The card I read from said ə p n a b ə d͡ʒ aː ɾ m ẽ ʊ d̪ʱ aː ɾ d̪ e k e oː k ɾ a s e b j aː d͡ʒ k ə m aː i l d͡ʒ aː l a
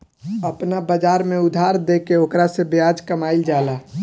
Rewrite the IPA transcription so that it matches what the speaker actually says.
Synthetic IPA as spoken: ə p n a b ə d͡ʒ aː ɾ m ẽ ʊ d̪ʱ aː ɾ d̪ e k e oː k ɾ a s e b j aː d͡ʒ k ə m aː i l d͡ʒ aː l a